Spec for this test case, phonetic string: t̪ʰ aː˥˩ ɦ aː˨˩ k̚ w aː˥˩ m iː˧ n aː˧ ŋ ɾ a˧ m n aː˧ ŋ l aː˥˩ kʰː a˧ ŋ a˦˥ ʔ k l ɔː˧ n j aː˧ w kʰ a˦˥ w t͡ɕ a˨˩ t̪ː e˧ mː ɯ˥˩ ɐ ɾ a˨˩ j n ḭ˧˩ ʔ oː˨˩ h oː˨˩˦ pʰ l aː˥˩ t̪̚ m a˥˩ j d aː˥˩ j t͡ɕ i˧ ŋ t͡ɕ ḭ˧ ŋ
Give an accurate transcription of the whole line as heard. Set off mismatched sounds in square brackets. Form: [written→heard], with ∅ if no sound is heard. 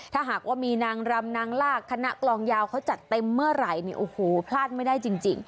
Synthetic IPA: t̪ʰ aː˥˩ ɦ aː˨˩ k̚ w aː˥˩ m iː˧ n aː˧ ŋ ɾ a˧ m n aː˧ ŋ l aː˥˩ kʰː a˧ [ŋ→n] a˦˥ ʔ k l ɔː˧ [n→ŋ] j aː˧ w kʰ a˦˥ w t͡ɕ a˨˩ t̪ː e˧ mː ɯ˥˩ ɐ ɾ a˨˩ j n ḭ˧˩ ʔ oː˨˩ h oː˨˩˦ pʰ l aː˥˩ t̪̚ m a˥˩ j d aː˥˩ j t͡ɕ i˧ ŋ t͡ɕ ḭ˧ ŋ